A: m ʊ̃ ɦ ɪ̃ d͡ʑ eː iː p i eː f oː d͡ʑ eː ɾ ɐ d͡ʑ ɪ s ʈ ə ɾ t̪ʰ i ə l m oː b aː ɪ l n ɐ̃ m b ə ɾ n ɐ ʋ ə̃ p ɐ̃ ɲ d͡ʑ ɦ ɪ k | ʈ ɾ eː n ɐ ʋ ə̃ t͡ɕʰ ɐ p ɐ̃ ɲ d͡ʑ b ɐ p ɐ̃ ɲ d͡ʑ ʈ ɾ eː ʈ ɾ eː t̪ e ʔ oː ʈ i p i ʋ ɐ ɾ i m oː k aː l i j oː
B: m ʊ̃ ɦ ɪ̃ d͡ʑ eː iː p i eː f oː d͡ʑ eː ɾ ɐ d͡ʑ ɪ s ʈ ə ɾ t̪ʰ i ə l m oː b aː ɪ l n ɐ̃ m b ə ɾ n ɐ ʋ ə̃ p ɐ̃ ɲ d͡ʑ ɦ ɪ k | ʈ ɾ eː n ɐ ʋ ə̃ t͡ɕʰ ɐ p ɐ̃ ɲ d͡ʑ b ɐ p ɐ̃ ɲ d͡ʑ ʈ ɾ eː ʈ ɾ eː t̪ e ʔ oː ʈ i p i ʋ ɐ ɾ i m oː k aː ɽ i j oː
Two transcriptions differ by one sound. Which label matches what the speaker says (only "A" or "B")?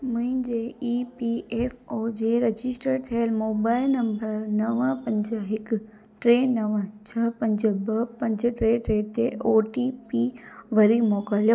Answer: A